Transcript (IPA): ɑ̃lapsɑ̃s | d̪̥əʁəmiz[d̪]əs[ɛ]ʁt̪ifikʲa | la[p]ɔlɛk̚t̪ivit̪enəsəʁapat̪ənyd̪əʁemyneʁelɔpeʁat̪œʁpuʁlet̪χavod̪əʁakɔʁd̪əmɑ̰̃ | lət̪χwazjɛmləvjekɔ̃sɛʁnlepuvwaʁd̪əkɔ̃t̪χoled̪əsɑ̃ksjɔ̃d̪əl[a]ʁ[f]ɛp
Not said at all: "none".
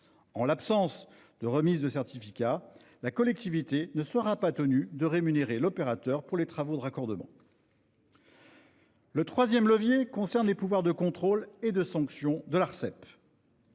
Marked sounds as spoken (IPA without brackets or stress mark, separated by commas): d̪, ɛ, k, a, s